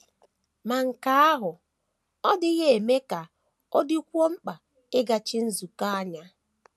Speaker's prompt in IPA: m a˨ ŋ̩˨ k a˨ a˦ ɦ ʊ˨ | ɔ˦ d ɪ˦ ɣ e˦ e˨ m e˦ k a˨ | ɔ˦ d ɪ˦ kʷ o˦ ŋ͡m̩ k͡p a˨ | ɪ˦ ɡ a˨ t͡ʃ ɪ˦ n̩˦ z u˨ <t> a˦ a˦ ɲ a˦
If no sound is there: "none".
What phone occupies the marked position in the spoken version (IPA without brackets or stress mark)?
k